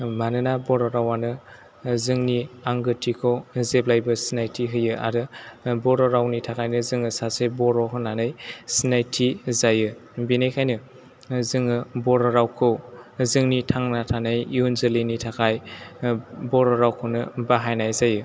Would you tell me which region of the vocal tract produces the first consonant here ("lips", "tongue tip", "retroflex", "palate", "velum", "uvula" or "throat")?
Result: lips